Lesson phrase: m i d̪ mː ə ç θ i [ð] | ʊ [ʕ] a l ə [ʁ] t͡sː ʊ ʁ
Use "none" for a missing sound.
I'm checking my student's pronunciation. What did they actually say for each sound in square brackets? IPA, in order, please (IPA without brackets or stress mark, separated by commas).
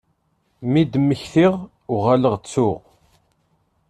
ʁ, ʁ, ʁ